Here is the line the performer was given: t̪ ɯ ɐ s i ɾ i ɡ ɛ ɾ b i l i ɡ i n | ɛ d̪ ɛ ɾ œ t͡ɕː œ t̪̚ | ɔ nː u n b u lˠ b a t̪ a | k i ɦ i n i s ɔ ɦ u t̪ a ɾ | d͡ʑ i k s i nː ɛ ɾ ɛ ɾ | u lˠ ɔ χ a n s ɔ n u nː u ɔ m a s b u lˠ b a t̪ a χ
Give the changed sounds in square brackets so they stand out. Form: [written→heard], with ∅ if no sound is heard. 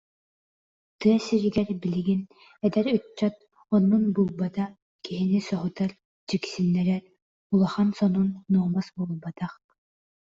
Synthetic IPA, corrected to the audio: t̪ ɯ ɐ s i ɾ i ɡ ɛ ɾ b i l i ɡ i n | ɛ d̪ ɛ ɾ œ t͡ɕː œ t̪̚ | ɔ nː u n b u lˠ b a t̪ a | k i ɦ i n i s ɔ ɦ u t̪ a ɾ | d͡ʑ i k s i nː ɛ ɾ ɛ ɾ | u lˠ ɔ χ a n s ɔ n u nː u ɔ m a s b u lˠ b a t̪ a χ